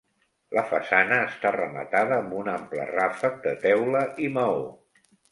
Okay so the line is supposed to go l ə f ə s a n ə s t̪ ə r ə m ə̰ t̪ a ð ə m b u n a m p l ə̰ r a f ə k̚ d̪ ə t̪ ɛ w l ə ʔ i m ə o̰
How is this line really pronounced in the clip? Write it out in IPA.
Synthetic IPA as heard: l ə f ə s a n əː s t̪ a r ə m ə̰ t̪ a ð əː m b u n a m p l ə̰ r a f ə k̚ d̪ ə t̪ ɛ w l ə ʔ i m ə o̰